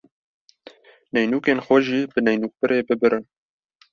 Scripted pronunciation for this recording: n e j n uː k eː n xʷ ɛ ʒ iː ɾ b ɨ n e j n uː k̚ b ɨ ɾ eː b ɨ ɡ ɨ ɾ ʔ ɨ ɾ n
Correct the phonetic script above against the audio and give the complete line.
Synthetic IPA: n ɛ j n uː k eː n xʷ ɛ ʒ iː b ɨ n ɛ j n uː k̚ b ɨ ɾ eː b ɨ b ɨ ɾ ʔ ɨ n